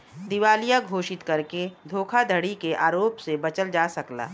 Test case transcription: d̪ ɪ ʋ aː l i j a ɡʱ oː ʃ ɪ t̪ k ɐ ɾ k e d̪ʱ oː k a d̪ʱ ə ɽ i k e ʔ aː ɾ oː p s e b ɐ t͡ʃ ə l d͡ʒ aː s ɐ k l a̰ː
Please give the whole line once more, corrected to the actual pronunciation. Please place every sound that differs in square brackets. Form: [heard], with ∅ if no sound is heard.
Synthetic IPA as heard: d̪ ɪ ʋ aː l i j a ɡʱ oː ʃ ɪ t̪ k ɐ ɾ k e d̪ʱ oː [kʰ] a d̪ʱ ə ɽ i k e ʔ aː ɾ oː p s e b ɐ t͡ʃ ə l d͡ʒ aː s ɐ k l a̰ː